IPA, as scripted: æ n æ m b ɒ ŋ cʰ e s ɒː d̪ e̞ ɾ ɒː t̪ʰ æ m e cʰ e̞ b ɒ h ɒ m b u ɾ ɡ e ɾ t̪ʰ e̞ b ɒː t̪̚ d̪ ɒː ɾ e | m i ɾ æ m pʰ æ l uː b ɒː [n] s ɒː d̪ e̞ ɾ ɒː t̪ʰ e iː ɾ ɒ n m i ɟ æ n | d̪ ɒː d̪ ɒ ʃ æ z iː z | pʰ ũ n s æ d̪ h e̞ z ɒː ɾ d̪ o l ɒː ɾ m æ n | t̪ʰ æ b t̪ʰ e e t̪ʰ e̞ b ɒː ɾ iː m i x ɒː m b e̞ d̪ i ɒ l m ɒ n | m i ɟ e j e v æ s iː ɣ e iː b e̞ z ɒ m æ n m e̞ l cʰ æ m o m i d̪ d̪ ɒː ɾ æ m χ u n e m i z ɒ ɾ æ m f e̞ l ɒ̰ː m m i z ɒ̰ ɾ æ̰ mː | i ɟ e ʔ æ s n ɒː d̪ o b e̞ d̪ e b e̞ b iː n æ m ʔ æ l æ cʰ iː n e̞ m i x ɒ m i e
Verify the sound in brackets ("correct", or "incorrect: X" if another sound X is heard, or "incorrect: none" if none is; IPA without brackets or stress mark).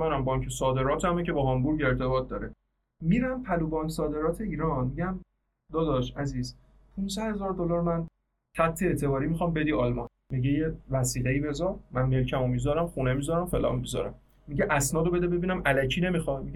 correct